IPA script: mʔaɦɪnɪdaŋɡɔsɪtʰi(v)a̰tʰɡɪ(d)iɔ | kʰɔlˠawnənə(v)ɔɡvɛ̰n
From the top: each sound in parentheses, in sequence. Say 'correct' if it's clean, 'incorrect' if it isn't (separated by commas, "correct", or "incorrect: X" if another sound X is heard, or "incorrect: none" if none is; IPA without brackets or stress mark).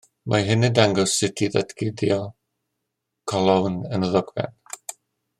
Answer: incorrect: ð, correct, incorrect: ð